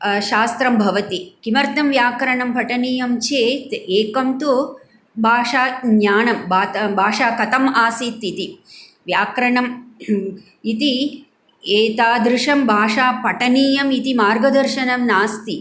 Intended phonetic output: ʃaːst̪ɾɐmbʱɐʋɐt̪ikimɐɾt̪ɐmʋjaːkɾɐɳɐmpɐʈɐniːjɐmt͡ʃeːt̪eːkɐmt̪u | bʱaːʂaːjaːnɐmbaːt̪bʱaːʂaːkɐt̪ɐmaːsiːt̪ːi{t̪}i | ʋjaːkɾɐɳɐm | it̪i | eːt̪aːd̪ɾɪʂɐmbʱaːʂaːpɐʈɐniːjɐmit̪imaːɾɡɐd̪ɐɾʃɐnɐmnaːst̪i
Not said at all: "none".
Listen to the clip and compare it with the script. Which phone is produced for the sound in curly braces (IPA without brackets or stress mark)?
t̪